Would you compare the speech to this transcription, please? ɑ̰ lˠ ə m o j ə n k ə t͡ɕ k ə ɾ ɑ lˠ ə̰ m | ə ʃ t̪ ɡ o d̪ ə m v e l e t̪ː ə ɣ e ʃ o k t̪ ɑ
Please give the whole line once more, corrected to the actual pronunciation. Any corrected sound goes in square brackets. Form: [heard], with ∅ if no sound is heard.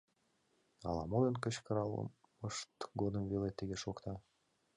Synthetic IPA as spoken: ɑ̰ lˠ [ɑ] m o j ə n k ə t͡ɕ k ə ɾ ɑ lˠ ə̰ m | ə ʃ t̪ ɡ o d̪ ə m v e l e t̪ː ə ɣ e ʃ o k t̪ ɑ